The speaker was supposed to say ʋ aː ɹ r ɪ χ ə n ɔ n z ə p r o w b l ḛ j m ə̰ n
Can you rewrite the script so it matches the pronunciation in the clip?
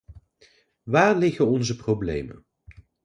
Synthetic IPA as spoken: ʋ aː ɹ l ɪ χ ə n ɔ n z ə p r o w b l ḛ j m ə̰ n